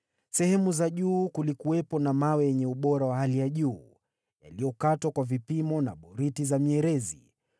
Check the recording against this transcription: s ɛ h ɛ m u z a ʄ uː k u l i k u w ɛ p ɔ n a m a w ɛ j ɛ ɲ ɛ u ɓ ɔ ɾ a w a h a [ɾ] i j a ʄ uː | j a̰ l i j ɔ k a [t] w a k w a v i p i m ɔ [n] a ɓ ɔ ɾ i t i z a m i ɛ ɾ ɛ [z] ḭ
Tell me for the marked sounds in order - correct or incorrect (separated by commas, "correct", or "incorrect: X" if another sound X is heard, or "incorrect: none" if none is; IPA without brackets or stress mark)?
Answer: incorrect: l, correct, correct, correct